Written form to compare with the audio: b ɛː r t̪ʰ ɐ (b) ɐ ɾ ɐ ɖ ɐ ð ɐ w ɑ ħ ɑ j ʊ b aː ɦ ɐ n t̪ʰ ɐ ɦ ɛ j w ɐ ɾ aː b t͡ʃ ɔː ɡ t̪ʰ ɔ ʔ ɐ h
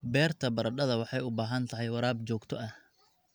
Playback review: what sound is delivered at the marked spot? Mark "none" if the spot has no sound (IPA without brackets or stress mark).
b